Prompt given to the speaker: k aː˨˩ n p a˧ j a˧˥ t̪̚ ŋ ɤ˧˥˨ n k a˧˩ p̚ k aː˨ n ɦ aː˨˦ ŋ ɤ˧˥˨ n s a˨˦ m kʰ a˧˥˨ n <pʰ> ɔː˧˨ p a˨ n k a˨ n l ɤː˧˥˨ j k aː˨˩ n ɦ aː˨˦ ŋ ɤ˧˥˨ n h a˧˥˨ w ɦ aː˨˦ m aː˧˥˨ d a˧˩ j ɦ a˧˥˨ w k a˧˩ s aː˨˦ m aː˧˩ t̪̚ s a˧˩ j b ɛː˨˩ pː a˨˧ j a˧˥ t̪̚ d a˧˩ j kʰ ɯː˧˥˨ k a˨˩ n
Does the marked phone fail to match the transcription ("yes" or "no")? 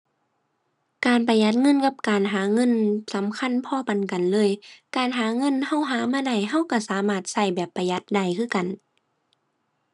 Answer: no